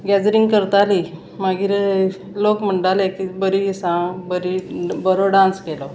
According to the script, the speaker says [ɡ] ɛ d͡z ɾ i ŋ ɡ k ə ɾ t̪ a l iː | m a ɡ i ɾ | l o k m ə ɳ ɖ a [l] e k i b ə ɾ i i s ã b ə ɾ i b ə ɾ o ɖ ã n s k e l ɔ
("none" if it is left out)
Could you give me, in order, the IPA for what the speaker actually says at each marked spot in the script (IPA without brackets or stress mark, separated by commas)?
ɡ, l